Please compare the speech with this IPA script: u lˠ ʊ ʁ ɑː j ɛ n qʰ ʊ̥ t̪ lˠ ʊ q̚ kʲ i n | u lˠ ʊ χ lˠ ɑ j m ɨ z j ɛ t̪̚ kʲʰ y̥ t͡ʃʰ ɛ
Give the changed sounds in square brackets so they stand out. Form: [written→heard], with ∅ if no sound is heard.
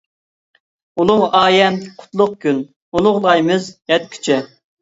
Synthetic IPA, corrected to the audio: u lˠ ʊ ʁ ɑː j ɛ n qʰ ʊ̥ t̪ lˠ ʊ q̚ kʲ [i→y] n | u lˠ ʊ [χ→ʁ] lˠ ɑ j m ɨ z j ɛ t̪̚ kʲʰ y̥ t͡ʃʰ ɛ